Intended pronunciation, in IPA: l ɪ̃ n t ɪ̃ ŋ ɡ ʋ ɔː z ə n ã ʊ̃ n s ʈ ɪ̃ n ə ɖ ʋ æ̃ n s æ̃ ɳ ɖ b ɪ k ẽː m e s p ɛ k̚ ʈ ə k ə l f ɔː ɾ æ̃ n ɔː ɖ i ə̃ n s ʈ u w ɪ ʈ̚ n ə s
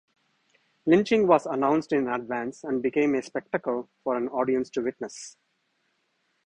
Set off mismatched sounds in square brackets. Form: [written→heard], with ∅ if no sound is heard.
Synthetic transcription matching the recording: l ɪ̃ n [t→t͡ʃ] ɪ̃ ŋ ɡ ʋ ɔː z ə n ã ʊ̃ n s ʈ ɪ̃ n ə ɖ ʋ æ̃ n s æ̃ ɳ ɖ b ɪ k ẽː m e s p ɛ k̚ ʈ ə k ə l f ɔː ɾ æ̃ n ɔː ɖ i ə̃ n s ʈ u [w→ʋ] ɪ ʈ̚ n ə s